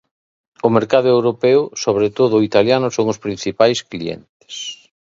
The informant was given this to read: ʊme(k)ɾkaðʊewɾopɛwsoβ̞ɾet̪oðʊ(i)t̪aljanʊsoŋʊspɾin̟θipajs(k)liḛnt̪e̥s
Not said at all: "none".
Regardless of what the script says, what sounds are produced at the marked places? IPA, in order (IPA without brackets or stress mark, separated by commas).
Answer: none, i, k